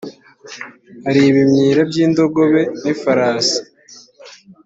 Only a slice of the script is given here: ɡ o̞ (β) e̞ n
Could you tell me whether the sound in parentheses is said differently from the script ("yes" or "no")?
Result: no